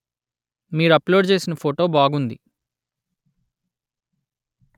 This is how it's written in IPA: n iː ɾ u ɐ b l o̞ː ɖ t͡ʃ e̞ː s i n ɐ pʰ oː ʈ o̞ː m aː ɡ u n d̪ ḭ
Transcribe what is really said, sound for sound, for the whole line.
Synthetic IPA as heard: m iː ɾ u ɐ p l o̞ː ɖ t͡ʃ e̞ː s i n ɐ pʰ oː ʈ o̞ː b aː ɡ u n d̪ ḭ